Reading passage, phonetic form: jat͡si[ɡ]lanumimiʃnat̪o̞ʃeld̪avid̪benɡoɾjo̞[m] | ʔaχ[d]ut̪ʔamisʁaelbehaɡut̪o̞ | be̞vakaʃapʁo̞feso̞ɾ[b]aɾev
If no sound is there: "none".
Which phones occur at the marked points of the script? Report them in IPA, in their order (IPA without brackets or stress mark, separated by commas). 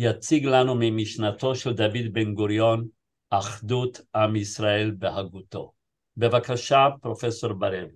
ɡ, n, d, b